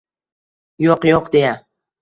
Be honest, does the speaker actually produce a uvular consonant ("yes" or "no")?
yes